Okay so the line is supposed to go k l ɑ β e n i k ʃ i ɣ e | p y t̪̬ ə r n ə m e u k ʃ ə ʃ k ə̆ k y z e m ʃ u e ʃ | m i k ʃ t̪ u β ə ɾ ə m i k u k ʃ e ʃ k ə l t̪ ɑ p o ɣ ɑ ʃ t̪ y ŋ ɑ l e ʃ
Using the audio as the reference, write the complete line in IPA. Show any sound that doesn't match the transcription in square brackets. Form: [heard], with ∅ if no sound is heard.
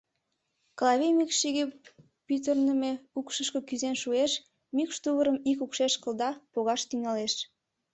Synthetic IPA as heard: k l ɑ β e [m] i k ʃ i ɣ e | p y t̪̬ ə r n ə m e u k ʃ ə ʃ k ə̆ k y z e [n] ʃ u e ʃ | m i k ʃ t̪ u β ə ɾ ə m i k u k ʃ e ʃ k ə l [d̪] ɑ p o ɣ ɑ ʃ t̪ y ŋ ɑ l e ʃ